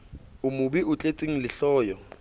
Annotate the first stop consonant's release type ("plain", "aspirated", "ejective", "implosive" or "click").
plain